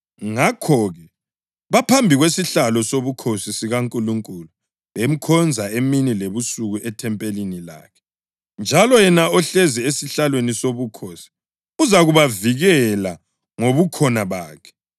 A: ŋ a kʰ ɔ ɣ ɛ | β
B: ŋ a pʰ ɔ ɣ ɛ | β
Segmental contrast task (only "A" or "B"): A